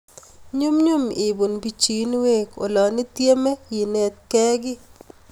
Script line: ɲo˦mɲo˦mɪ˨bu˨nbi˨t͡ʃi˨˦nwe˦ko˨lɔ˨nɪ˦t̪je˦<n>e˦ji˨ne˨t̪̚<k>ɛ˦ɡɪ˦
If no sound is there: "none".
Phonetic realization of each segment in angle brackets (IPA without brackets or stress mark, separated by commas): m, k